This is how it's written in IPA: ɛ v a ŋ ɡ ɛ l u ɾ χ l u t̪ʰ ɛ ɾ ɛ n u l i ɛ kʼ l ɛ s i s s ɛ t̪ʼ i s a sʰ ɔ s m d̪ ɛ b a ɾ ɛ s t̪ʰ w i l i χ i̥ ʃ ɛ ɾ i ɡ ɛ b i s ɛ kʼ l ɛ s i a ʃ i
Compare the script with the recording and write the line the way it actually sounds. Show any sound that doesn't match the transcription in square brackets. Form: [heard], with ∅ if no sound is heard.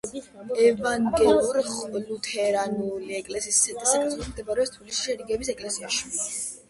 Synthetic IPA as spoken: ɛ v a ŋ ɡ ɛ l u ɾ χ l u t̪ʰ ɛ ɾ [a] n u l i ɛ kʼ l ɛ s i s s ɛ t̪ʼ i s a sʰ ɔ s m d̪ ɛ b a ɾ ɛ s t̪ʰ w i l i [s] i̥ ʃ ɛ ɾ i ɡ ɛ b i s ɛ kʼ l ɛ s i a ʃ i